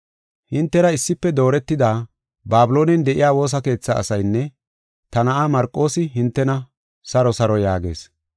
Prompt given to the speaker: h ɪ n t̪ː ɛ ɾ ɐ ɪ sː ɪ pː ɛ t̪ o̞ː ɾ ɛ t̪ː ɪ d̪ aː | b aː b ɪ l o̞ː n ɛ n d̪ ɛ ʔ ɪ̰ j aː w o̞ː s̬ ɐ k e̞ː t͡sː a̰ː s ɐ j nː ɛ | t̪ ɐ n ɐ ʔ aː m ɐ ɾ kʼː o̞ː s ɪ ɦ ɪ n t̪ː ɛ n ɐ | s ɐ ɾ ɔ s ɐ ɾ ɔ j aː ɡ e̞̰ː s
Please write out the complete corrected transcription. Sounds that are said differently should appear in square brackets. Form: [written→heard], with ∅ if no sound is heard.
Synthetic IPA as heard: h ɪ n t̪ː ɛ ɾ ɐ ɪ sː ɪ pː ɛ [t̪→d̪] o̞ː ɾ ɛ t̪ː ɪ d̪ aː | b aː b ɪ l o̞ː n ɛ n d̪ ɛ ʔ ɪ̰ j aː w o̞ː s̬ ɐ k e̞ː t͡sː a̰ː s ɐ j nː ɛ | t̪ ɐ n ɐ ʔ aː m ɐ ɾ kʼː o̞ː s ɪ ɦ ɪ n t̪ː ɛ n ɐ | s ɐ ɾ ɔ s ɐ ɾ ɔ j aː ɡ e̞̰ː s